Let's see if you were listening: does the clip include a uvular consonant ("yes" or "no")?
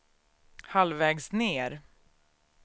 no